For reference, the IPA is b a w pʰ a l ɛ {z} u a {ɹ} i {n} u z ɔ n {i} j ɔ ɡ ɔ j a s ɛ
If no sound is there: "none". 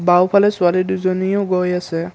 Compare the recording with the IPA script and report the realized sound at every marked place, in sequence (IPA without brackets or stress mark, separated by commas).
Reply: s, l, d, i